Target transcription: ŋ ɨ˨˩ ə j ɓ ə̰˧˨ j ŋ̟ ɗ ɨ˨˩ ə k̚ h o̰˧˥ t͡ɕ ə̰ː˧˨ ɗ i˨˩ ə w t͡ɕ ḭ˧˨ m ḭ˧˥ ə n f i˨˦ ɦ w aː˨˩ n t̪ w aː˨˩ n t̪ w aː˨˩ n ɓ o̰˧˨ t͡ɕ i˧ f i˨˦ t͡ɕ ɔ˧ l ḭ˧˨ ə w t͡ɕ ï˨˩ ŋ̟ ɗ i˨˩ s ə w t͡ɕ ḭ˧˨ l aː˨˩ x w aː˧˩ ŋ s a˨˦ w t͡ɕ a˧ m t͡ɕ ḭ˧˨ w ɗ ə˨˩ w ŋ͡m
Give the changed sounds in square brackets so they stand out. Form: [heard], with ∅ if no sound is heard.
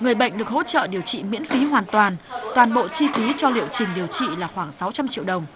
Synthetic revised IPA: ŋ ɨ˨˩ ə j ɓ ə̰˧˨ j ŋ̟ ɗ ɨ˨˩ ə k̚ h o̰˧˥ t͡ɕ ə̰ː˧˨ ɗ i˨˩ ə w t͡ɕ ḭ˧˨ m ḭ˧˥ ə n f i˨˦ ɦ w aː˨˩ n t̪ w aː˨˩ n t̪ w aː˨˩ n ɓ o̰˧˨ t͡ɕ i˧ f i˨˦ t͡ɕ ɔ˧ l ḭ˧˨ ə w t͡ɕ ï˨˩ ŋ̟ ɗ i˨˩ [∅] ə w t͡ɕ ḭ˧˨ l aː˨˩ x w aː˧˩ ŋ s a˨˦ w t͡ɕ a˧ m t͡ɕ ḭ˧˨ w ɗ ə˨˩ w ŋ͡m